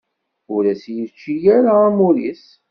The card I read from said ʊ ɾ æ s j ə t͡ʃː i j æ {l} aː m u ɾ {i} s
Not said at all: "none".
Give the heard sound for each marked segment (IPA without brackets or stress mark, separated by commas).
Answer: ɾ, i